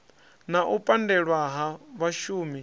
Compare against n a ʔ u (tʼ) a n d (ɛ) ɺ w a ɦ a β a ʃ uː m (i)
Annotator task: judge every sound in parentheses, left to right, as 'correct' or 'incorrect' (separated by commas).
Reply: incorrect, correct, correct